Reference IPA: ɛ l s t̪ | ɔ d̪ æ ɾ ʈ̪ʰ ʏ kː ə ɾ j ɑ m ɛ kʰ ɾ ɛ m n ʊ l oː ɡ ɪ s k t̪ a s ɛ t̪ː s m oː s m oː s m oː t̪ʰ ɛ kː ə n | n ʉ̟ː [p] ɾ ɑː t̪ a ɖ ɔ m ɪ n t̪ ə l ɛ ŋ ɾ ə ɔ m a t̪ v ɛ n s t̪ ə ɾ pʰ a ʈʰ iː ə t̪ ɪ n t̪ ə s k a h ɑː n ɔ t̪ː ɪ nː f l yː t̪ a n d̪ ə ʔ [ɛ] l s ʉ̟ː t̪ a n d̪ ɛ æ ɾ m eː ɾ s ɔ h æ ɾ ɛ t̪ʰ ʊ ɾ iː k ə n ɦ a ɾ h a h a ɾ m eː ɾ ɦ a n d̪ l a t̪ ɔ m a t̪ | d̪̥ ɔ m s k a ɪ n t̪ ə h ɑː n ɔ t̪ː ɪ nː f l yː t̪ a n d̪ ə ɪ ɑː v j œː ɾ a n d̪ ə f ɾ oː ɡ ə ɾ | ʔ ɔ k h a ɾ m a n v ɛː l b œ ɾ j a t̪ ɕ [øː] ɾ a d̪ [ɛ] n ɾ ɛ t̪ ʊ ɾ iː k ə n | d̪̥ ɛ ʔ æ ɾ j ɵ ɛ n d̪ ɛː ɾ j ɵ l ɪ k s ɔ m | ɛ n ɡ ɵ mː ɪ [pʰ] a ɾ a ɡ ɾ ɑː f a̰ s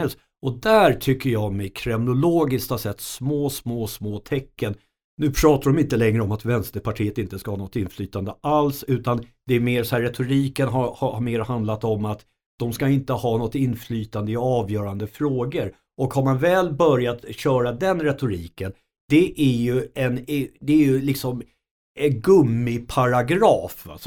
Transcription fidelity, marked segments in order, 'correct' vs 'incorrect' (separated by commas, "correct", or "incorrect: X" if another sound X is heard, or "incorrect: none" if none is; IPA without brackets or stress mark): incorrect: pʰ, incorrect: a, incorrect: œː, correct, correct